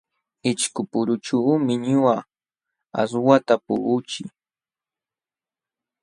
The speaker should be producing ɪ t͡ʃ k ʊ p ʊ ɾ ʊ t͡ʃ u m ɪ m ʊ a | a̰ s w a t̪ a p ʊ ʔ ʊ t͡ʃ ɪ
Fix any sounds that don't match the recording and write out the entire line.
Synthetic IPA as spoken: ɪ t͡ʃ k ʊ p ʊ ɾ ʊ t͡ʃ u m ɪ ɲ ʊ a | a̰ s w a t̪ a p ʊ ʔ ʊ t͡ʃ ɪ